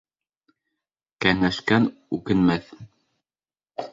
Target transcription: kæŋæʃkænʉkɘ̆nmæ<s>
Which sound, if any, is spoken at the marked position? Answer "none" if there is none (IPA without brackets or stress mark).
θ